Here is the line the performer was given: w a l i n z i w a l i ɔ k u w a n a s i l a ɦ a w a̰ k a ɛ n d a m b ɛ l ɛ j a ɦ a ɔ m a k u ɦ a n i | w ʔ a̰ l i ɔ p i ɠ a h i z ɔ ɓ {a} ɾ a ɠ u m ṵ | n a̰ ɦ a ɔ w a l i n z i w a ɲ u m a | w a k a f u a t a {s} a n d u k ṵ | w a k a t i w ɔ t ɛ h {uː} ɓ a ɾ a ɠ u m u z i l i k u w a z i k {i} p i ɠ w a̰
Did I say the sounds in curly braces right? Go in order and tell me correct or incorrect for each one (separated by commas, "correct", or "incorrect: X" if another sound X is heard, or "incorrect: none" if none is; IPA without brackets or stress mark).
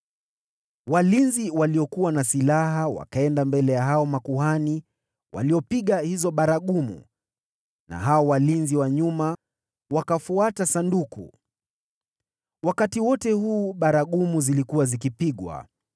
correct, correct, correct, correct